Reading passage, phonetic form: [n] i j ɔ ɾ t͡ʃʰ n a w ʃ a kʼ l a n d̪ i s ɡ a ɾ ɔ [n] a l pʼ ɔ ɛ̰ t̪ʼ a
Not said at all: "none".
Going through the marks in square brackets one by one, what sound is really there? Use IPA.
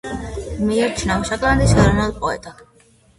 m, n

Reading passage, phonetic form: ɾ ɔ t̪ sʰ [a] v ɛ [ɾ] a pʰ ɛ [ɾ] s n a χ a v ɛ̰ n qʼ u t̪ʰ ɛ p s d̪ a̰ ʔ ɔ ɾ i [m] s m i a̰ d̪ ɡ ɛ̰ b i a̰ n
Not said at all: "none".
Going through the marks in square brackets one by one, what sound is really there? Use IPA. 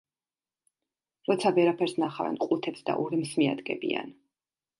a, ɾ, ɾ, m

